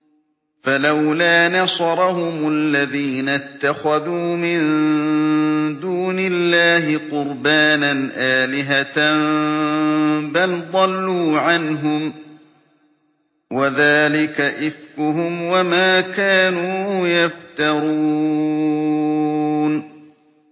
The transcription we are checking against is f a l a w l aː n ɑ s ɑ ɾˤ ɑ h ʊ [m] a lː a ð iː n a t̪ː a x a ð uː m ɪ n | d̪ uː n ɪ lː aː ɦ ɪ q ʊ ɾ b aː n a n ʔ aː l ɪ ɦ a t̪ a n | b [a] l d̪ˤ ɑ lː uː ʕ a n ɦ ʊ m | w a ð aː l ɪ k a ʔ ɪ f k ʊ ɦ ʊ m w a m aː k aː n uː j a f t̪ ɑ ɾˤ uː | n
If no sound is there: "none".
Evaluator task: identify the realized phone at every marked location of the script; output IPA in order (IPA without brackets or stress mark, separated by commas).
m, a